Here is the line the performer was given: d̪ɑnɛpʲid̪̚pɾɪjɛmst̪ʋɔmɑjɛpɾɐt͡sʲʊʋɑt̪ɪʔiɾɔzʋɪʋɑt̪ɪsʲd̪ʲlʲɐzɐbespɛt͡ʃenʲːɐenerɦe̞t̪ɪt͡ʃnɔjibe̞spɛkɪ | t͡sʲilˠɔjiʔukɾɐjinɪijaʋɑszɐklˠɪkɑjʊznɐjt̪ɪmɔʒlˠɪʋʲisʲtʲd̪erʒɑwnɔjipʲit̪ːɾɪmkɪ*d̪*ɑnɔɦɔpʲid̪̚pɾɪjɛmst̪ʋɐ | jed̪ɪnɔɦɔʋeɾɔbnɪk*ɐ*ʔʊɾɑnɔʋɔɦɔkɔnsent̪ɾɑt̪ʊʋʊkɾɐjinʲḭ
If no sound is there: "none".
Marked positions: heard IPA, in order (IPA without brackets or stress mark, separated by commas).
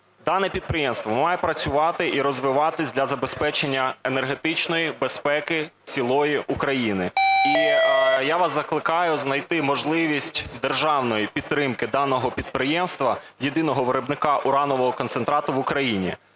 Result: d̪, ɑ